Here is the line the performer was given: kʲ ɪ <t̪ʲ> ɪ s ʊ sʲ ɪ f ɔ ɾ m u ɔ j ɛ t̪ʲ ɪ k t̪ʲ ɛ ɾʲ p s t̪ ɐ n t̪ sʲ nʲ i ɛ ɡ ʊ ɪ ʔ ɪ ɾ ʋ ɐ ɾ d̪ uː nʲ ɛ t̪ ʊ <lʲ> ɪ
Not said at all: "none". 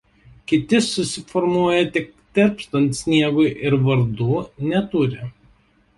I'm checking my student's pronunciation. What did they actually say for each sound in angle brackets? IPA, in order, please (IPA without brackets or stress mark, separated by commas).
t̪ʲ, ɾʲ